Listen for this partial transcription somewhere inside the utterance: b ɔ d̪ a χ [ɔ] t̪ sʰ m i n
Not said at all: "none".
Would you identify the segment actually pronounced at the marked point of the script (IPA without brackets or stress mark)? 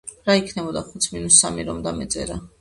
u